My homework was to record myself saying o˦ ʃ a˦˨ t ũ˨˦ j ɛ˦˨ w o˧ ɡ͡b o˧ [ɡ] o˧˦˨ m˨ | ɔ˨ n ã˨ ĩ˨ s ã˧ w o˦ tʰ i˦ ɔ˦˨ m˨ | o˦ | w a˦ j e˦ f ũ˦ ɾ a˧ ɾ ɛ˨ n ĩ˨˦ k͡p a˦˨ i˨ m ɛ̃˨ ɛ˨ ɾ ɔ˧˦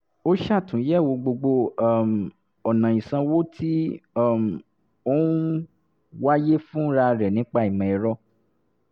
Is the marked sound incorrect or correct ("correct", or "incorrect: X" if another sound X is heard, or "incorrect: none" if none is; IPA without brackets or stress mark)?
incorrect: ɡ͡b